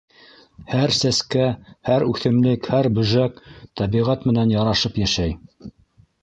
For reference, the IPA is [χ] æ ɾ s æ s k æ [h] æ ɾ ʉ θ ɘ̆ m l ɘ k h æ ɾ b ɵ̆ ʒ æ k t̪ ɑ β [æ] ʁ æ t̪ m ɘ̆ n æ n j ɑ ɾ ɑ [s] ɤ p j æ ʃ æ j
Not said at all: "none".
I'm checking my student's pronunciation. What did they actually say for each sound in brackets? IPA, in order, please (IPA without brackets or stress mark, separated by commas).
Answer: h, h, i, ʃ